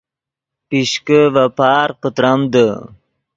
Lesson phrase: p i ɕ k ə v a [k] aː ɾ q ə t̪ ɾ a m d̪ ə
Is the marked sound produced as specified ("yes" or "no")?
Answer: no